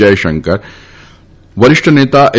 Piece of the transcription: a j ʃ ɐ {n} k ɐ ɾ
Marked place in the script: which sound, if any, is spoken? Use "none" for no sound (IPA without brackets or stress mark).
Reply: ŋ